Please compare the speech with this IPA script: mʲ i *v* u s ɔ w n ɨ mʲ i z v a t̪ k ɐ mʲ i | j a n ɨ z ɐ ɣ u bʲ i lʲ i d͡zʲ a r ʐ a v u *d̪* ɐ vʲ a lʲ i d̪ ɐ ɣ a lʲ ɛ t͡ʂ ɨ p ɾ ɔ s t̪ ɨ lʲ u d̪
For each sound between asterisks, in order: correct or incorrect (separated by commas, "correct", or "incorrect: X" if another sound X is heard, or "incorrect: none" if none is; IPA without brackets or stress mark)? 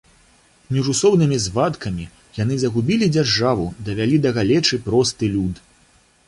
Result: incorrect: ʐ, correct